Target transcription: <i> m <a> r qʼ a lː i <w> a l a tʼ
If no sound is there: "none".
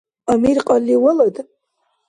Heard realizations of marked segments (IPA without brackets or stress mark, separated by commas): a, i, w